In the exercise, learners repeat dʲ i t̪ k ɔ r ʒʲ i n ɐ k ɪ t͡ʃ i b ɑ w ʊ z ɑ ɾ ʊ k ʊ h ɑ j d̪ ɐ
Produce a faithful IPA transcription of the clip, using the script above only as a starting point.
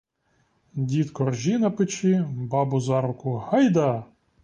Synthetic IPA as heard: dʲ i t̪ k ɔ r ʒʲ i n ɐ p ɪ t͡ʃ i b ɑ b ʊ z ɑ ɾ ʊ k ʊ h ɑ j d̪ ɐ